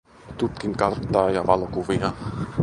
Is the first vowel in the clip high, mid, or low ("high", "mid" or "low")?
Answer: high